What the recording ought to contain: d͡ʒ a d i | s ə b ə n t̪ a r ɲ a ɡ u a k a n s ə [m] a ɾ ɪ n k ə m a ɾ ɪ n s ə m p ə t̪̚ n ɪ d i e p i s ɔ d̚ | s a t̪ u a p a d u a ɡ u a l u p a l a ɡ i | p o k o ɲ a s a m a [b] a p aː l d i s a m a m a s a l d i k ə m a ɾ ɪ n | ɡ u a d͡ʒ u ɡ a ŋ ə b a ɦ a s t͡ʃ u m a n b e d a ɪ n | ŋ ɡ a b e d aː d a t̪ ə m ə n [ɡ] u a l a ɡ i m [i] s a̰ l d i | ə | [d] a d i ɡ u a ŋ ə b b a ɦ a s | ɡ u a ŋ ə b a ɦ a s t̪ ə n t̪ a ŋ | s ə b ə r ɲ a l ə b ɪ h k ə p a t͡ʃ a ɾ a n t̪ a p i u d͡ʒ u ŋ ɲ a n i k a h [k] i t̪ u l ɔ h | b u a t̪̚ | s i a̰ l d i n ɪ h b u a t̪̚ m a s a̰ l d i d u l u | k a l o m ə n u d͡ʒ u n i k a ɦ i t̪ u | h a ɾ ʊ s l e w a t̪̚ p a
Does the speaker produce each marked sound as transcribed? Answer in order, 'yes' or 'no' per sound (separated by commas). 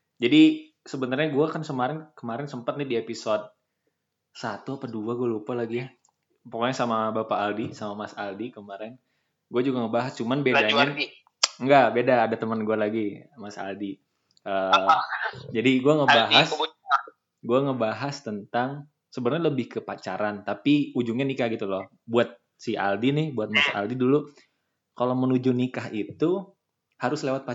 yes, yes, yes, no, no, no